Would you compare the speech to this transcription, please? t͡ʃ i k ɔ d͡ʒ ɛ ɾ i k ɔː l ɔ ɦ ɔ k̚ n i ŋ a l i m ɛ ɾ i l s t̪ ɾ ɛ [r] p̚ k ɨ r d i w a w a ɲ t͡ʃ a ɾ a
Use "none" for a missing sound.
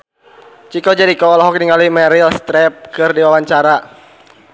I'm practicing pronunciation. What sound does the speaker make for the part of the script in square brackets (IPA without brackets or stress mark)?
none